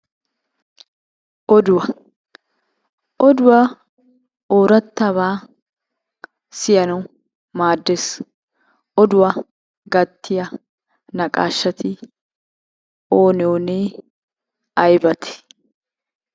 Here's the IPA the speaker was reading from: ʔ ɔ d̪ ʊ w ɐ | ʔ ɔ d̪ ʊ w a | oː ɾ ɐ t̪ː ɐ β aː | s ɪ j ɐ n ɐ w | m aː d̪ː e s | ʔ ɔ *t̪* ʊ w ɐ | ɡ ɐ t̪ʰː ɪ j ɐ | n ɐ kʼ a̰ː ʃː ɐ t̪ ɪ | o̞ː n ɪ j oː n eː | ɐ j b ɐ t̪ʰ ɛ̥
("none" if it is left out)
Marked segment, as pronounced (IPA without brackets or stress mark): d̪